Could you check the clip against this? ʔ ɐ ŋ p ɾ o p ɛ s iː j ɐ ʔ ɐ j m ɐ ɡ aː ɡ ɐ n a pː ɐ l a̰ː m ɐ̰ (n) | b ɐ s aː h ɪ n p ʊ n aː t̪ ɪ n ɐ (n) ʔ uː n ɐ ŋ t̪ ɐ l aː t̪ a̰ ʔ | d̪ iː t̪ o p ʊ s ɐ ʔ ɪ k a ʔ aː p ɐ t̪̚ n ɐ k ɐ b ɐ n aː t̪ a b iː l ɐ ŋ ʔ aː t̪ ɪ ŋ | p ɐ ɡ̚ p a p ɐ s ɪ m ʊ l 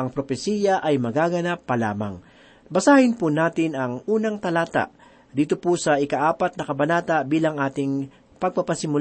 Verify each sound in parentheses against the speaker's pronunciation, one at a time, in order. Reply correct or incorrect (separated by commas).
incorrect, incorrect